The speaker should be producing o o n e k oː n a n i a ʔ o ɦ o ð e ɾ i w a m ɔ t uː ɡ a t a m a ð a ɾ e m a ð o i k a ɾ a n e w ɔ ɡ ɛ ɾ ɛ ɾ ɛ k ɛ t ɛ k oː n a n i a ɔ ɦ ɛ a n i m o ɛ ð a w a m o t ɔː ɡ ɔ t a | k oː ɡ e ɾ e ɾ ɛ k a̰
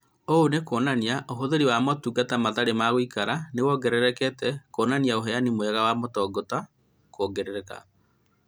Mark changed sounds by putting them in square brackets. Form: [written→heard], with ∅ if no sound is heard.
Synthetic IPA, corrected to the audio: o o n e k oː n a n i a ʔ o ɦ o ð e ɾ i w a m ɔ t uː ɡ a t a m a ð a ɾ e m a [ð→ɣ] o i k a ɾ a n e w ɔ ɡ ɛ ɾ ɛ ɾ ɛ k ɛ t ɛ k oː n a n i a [ɔ→o] ɦ ɛ a n i m o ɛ [ð→ɣ] a w a m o t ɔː ɡ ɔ t a | k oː ɡ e ɾ e ɾ ɛ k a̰